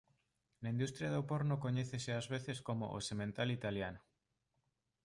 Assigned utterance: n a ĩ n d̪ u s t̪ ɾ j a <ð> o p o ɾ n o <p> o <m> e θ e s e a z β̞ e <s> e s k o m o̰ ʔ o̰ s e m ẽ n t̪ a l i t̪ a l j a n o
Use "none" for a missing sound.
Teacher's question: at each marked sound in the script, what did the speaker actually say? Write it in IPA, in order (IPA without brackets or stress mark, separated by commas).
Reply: ð, k, ɲ, θ